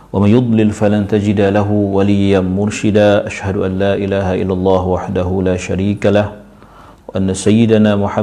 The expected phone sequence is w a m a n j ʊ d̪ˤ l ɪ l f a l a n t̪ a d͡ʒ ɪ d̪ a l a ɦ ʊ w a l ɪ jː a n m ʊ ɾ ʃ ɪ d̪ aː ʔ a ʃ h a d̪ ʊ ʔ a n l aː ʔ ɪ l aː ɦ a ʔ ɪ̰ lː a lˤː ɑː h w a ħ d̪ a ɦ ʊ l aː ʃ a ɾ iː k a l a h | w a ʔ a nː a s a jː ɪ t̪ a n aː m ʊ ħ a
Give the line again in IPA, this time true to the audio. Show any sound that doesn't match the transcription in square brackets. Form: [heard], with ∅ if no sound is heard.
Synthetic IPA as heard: w a m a n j ʊ d̪ˤ l ɪ l f a l a n t̪ a d͡ʒ ɪ d̪ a l a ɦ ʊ w a l ɪ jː a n m ʊ ɾ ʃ ɪ d̪ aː ʔ a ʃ h a d̪ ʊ ʔ a n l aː ʔ ɪ l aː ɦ a ʔ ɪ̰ lː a lˤː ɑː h w a ħ d̪ a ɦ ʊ l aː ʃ a ɾ iː k a l a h | w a ʔ a nː a s a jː ɪ [d̪] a n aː m ʊ ħ a